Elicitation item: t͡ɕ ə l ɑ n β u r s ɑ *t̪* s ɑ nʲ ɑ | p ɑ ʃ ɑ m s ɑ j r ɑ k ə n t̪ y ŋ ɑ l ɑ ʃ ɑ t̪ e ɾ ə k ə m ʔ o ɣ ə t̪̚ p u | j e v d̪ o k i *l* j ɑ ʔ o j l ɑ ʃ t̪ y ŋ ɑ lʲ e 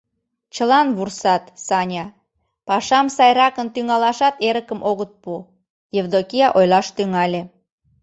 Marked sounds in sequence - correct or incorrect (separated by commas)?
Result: correct, incorrect